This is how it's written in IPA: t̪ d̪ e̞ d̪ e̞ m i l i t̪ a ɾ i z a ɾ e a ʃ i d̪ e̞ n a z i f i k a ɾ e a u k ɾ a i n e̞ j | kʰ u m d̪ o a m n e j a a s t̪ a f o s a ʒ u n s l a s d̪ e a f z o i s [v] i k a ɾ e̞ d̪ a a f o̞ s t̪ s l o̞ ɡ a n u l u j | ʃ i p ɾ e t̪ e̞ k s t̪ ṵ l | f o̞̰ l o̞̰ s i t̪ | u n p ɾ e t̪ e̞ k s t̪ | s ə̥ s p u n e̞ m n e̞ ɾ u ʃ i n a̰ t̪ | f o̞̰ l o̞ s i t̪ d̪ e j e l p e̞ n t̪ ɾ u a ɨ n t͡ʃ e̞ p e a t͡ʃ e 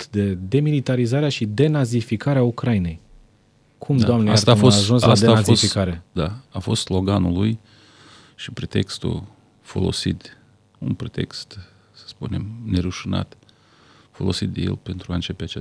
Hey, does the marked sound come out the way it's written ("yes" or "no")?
no